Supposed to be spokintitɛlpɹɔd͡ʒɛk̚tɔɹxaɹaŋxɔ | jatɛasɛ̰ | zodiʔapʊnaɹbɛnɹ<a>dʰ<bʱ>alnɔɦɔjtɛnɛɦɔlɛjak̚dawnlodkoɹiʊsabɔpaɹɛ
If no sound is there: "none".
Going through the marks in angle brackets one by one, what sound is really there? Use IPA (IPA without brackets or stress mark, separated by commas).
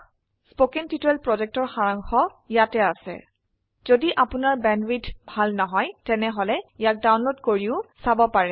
i, bʱ